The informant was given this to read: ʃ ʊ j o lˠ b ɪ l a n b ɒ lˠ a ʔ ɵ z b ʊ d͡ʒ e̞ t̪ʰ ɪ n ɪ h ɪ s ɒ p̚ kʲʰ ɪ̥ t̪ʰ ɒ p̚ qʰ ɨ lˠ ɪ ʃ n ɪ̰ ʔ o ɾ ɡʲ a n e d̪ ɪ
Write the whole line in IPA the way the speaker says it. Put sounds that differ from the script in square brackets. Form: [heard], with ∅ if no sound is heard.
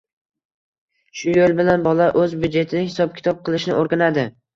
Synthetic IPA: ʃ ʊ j o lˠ b ɪ l a n b ɒ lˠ a ʔ ɵ z b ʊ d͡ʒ e̞ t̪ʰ ɪ n ɪ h ɪ s ɒ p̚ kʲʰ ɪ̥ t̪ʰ ɒ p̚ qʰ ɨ lˠ ɪ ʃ n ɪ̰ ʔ o ɾ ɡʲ a n [a] d̪ ɪ